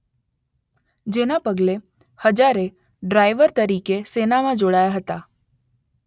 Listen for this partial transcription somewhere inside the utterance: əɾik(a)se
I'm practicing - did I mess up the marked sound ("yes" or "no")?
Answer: yes